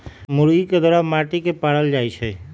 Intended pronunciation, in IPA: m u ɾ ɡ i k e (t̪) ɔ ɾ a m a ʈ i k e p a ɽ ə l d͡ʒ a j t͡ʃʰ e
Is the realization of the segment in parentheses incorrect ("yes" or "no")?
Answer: yes